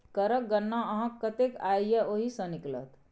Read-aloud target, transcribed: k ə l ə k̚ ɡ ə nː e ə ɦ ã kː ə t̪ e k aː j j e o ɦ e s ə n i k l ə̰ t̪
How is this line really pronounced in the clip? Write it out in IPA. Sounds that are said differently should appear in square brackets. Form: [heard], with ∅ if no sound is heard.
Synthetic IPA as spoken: k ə [ɾ] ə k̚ ɡ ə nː [a] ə ɦ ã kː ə t̪ e k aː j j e o ɦ [i] s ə n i k l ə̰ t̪